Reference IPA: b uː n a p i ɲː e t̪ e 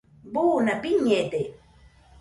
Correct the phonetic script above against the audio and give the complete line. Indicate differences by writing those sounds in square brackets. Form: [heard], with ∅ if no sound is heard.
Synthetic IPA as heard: b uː n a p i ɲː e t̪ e